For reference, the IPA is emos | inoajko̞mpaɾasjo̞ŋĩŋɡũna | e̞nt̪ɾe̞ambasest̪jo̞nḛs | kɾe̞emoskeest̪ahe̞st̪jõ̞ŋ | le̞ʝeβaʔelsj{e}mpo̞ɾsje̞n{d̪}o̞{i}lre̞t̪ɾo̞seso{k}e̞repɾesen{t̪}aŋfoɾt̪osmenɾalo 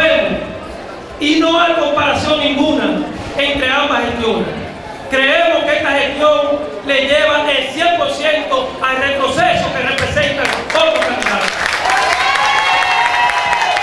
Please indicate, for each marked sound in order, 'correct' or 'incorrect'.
correct, incorrect: t̪, incorrect: a, correct, correct

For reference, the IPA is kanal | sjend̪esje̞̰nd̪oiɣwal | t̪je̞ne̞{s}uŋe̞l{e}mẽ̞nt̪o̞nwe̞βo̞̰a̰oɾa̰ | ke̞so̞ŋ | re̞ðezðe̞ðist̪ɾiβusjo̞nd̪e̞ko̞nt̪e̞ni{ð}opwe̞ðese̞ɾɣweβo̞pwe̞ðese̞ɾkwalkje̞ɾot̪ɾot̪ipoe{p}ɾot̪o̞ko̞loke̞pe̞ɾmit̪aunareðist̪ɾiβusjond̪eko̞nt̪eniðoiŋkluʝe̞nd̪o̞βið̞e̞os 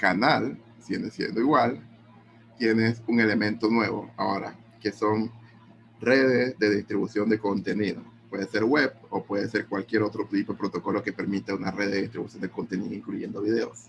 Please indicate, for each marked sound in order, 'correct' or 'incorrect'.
correct, correct, correct, correct

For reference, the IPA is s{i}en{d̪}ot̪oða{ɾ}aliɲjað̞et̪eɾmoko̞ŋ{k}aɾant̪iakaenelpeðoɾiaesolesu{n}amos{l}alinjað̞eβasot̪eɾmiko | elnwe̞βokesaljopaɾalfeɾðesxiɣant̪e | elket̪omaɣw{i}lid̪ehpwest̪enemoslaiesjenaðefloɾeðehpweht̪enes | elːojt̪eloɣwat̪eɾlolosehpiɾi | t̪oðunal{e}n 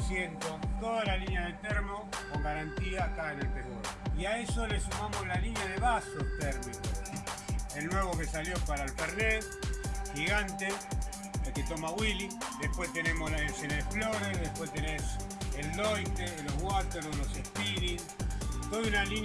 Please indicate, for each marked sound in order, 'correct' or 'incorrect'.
incorrect: j, incorrect: t̪, incorrect: l, incorrect: ɡ, incorrect: m, correct, correct, incorrect: i

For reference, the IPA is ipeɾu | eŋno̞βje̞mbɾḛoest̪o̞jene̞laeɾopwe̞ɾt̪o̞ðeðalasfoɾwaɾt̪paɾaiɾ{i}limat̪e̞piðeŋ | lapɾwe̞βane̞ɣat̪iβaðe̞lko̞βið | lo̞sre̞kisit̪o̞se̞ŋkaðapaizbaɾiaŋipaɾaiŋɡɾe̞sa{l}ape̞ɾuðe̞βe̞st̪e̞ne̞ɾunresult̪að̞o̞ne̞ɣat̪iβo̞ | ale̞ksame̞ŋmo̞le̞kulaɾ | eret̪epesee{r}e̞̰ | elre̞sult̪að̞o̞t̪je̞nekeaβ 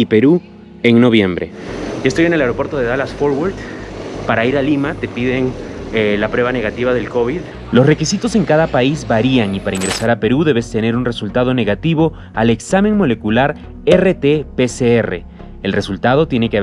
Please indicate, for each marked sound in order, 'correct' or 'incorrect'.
incorrect: a, incorrect: ɾ, correct

